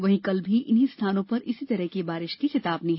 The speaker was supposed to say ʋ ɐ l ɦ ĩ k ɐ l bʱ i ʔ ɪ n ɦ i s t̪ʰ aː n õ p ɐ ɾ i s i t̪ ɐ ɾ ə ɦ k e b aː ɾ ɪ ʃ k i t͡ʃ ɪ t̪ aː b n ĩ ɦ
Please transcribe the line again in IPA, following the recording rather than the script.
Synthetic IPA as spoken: ʋ ɐ ɦ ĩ k ɐ l bʱ i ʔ ɪ n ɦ i s t̪ʰ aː n õ p ɐ ɾ ɪ s i t̪ ɐ ɾ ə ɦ k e b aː ɾ ɪ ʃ k i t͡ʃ ɪ t̪ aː b n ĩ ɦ

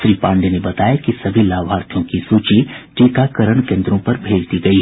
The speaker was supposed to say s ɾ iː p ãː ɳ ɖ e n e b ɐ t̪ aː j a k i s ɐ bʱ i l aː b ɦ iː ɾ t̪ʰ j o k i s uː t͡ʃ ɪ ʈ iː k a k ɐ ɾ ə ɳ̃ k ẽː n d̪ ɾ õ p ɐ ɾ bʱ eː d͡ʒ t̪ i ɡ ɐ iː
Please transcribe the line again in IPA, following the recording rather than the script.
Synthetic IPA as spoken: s ɾ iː p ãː ɳ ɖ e n e b ɐ t̪ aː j a k i s ɐ bʱ i l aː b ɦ aː ɾ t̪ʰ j õ k i s uː t͡ʃ i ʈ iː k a k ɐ ɾ ə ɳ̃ k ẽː n d̪ ɾ õ p ɐ ɾ bʱ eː d͡ʒ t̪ i ɡ ɐ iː

